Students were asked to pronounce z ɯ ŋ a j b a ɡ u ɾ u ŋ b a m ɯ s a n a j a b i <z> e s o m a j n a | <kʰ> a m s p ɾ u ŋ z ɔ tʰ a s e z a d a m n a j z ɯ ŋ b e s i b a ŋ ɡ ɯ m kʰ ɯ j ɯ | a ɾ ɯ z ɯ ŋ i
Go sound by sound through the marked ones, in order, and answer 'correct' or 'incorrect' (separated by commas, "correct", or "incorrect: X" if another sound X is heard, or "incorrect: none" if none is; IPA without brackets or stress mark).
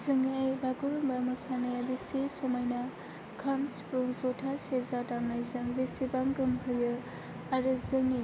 incorrect: s, correct